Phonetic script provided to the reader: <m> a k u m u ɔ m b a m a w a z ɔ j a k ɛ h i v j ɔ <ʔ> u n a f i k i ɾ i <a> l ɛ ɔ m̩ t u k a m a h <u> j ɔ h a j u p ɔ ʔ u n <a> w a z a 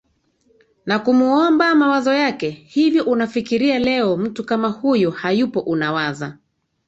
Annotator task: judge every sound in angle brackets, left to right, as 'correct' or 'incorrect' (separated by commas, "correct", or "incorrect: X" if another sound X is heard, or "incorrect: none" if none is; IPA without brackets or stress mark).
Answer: incorrect: n, correct, correct, correct, correct